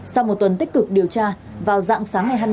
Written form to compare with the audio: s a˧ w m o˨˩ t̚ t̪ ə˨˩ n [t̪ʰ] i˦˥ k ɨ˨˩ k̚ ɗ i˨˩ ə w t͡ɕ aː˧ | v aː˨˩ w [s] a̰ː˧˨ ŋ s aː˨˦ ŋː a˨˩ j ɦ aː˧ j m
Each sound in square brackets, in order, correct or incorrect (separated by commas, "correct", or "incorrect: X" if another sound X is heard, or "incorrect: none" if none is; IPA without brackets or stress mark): incorrect: t̪, incorrect: z